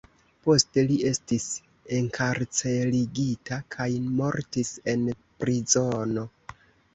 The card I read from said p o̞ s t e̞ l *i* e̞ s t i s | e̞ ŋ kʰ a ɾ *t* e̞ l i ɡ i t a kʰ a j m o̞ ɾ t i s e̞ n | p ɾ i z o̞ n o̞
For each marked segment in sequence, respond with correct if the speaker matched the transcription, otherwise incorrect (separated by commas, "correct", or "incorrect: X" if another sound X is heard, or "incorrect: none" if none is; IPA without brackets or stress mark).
correct, incorrect: t͡s